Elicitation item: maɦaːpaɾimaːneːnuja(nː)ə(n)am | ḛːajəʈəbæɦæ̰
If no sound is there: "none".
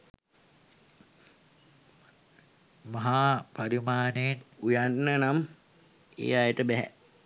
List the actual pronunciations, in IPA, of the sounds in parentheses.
nː, n

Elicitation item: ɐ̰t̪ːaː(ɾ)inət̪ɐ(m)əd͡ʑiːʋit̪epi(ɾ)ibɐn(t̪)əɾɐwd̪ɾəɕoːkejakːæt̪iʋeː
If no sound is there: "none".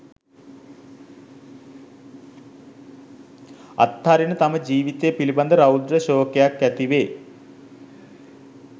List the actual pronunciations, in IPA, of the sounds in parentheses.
ɾ, m, l, d̪

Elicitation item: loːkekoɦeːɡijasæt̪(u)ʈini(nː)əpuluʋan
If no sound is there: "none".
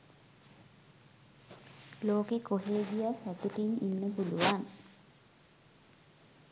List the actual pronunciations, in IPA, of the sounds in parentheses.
u, nː

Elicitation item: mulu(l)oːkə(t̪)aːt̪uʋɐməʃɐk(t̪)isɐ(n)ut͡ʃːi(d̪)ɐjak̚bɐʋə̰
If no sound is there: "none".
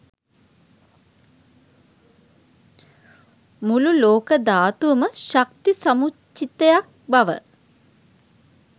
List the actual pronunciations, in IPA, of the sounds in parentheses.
l, d̪, t̪, m, t̪

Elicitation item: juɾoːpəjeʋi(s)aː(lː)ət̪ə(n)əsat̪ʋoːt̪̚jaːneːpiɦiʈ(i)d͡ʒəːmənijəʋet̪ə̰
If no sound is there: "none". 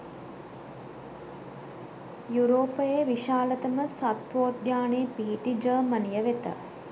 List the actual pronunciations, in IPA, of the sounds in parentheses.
ʃ, l, m, i

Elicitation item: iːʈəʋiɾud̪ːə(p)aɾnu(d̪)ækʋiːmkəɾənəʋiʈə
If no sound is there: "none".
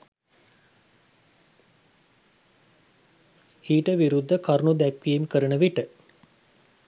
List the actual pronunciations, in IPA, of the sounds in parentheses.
k, d̪

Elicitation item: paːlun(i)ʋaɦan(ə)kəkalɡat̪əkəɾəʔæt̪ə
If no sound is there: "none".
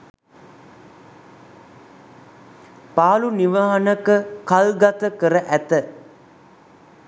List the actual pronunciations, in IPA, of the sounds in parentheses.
i, ə

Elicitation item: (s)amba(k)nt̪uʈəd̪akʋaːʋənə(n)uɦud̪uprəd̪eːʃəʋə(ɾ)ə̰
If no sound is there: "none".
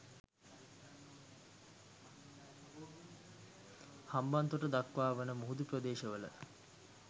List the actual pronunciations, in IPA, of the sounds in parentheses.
h, none, m, l

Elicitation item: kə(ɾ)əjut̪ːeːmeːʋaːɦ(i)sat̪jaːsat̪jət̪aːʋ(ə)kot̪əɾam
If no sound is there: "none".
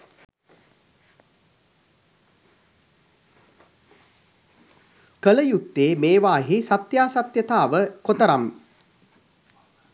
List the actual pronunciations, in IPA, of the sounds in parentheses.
l, i, ə

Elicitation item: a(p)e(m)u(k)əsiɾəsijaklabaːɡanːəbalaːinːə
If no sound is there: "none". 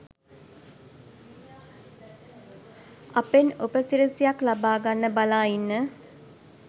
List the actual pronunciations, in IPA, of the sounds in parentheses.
p, n, p

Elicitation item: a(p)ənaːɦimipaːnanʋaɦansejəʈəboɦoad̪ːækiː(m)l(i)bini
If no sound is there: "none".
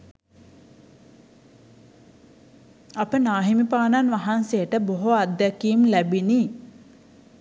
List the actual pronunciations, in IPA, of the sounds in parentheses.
p, m, æ

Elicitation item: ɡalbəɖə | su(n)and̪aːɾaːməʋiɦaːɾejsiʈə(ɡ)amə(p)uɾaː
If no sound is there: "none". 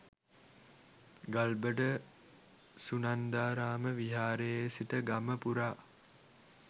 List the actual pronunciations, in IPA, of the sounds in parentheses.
n, ɡ, p

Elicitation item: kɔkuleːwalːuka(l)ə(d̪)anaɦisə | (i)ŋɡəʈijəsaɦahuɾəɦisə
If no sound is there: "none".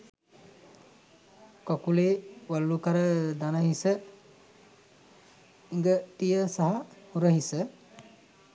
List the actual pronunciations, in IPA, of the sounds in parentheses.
ɾ, d̪, i

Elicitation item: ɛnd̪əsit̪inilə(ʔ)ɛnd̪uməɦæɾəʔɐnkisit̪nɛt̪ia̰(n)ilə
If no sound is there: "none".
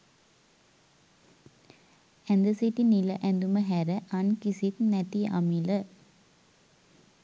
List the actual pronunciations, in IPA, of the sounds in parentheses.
ʔ, m

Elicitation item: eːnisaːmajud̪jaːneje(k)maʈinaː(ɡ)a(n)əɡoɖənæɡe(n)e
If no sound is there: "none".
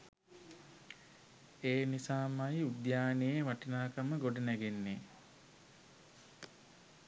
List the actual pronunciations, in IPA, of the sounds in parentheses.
none, k, m, nː

